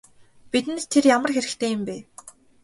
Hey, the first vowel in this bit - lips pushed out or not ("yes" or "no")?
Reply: no